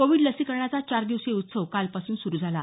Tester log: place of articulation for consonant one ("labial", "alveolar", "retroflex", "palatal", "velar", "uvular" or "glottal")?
velar